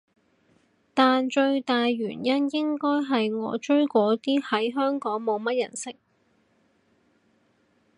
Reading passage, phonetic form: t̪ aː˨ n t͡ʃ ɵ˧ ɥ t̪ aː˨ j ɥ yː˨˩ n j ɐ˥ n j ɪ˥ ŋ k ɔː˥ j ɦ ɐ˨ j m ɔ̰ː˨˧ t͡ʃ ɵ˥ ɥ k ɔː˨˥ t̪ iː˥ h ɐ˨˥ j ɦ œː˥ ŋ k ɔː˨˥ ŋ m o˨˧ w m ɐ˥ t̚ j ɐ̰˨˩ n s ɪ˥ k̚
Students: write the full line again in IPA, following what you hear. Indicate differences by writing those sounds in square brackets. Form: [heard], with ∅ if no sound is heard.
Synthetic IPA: t̪ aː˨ n t͡ʃ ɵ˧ ɥ t̪ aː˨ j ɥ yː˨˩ n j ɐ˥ n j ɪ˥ ŋ k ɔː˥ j ɦ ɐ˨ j [ŋ] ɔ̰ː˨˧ t͡ʃ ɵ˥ ɥ k ɔː˨˥ t̪ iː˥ h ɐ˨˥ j ɦ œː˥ ŋ k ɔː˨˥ ŋ m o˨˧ w m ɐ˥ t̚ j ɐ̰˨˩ n s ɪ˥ k̚

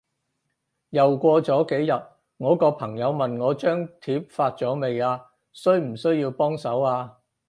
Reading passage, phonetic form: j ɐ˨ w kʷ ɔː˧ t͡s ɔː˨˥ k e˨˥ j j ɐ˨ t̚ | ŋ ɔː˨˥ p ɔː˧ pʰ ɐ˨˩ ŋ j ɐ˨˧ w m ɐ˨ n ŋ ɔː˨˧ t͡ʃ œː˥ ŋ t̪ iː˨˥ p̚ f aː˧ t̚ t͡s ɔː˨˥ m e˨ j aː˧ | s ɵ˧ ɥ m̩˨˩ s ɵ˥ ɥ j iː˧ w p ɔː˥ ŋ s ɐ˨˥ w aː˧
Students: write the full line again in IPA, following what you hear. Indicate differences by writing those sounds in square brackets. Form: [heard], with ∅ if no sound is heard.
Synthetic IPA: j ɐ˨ w kʷ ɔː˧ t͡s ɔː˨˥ k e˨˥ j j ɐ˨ t̚ | ŋ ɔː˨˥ [k] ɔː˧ pʰ ɐ˨˩ ŋ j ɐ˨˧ w m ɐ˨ n ŋ ɔː˨˧ t͡ʃ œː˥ ŋ [t̪ʰ] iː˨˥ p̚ f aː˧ t̚ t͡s ɔː˨˥ m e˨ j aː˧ | s [ɵ˥] ɥ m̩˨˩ s ɵ˥ ɥ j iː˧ w p ɔː˥ ŋ s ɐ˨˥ w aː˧

